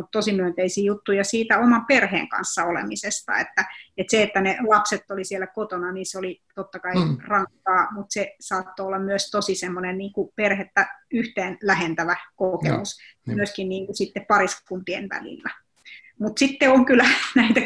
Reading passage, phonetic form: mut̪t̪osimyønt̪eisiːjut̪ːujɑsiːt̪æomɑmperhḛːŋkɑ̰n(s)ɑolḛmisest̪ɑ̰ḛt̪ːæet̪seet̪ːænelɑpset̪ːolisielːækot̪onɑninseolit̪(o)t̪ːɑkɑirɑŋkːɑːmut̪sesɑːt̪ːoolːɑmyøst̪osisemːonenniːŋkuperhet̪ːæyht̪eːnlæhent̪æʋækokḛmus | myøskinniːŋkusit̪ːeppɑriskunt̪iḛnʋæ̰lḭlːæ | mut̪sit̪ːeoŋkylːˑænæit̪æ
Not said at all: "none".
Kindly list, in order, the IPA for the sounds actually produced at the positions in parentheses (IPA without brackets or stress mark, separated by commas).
sː, o